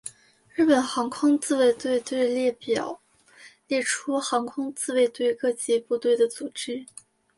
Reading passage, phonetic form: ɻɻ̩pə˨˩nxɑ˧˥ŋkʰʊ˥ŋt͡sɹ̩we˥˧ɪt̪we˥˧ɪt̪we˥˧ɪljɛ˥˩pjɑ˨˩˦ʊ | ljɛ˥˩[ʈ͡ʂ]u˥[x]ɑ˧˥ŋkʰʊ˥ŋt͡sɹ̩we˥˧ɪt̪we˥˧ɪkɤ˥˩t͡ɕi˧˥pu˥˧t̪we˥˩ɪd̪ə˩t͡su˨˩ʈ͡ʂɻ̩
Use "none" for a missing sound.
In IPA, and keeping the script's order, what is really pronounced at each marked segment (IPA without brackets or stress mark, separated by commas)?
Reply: ʈ͡ʂʰ, x